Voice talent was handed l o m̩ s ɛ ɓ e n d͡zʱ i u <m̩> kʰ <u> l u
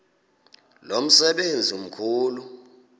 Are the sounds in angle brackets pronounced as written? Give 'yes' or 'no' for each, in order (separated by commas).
yes, no